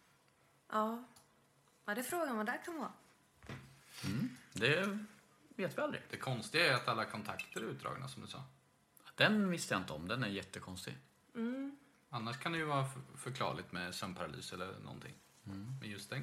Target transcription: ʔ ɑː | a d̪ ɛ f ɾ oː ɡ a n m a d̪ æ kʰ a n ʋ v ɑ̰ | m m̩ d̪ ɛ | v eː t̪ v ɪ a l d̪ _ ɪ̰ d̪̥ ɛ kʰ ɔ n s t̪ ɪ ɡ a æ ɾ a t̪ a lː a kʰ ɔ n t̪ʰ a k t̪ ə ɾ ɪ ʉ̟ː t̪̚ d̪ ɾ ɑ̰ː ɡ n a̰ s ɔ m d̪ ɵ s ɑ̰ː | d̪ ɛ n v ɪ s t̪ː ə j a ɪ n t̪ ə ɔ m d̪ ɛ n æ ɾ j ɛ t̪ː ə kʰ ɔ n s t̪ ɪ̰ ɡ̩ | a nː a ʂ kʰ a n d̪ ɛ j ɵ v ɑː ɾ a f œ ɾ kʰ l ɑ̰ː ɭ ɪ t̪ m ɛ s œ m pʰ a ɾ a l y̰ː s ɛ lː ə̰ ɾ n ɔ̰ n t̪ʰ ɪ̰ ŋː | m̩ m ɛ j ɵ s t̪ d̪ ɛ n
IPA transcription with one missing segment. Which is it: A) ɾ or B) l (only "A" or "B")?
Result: A